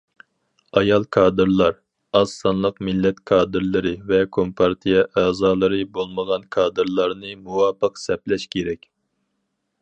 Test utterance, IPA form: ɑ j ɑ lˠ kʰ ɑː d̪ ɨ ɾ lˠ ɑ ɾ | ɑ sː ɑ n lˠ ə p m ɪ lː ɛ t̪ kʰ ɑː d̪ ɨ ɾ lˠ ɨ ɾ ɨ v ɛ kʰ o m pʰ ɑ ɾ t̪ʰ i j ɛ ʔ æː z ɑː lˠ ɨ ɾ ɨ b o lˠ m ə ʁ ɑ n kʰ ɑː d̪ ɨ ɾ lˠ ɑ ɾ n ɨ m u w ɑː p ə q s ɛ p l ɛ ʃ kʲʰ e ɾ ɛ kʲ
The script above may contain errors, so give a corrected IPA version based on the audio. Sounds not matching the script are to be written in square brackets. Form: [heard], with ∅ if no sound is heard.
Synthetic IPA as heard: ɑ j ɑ lˠ kʰ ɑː d̪ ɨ ɾ lˠ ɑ ɾ | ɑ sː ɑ n lˠ ə [q] m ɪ lː ɛ t̪ kʰ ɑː d̪ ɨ ɾ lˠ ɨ ɾ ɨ v ɛ kʰ o m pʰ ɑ ɾ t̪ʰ i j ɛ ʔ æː z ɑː lˠ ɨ ɾ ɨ b o lˠ m ə ʁ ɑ n kʰ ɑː d̪ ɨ ɾ lˠ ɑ ɾ n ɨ m u w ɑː p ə q s ɛ p l ɛ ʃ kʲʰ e ɾ ɛ kʲ